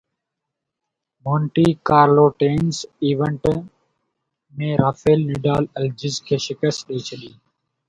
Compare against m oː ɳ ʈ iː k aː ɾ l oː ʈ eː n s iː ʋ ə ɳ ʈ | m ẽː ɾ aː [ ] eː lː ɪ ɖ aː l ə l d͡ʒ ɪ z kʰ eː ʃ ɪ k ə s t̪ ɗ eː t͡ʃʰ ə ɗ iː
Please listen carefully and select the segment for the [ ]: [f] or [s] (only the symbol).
f